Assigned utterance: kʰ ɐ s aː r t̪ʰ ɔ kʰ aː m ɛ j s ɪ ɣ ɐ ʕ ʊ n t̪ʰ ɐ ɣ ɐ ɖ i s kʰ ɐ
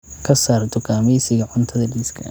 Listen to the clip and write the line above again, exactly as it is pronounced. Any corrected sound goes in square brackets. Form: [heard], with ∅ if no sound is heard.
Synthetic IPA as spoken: kʰ ɐ s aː r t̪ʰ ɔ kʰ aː m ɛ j s ɪ ɣ ɐ ʕ ʊ n t̪ʰ ɐ [ð] ɐ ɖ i s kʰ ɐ